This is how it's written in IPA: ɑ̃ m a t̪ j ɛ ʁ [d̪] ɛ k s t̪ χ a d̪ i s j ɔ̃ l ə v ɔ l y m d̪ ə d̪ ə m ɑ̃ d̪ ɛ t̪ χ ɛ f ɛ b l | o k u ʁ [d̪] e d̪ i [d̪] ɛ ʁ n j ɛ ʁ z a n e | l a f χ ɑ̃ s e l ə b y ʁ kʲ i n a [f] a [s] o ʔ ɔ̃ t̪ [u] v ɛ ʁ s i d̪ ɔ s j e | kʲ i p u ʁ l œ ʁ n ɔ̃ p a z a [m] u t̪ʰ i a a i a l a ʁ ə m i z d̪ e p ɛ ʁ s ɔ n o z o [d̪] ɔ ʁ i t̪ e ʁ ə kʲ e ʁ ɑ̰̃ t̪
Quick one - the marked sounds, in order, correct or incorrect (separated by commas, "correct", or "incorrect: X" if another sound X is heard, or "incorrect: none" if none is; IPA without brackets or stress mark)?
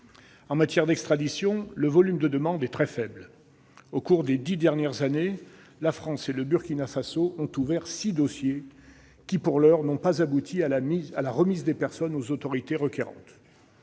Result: correct, correct, correct, correct, correct, correct, incorrect: b, incorrect: t̪